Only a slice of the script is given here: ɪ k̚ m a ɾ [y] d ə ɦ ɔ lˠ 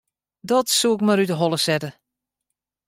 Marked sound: correct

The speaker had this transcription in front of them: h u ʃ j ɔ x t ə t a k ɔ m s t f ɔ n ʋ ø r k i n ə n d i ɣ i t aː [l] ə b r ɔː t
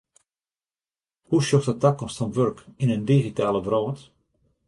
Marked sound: correct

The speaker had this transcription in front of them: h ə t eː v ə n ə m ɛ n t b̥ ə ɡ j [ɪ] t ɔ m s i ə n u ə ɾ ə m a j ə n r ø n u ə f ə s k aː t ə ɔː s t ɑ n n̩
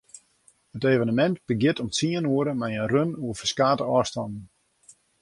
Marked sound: correct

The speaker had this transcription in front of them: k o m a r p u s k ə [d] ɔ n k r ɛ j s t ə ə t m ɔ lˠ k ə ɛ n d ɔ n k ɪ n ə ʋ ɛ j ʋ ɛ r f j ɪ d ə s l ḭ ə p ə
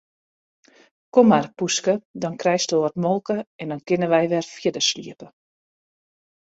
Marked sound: correct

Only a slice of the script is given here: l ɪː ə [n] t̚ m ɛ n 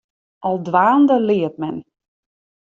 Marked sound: incorrect: none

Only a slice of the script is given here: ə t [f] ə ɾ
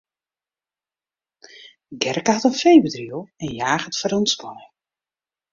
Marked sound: correct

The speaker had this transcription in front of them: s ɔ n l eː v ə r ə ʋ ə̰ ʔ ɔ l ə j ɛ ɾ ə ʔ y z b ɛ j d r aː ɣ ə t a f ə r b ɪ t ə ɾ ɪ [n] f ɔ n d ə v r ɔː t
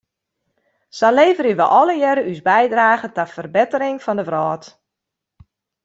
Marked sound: incorrect: ŋ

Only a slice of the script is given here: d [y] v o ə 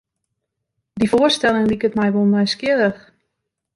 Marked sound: incorrect: i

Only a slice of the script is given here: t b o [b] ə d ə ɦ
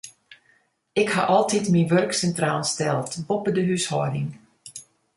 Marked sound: incorrect: p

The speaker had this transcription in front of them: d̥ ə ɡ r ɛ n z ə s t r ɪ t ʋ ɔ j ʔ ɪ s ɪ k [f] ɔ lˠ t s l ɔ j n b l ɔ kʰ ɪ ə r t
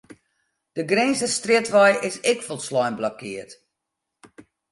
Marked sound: correct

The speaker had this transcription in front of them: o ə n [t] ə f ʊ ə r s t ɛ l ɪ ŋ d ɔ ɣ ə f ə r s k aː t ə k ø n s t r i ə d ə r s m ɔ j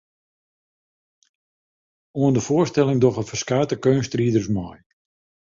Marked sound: incorrect: d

